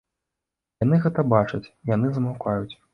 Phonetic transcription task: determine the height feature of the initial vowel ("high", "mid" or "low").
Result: low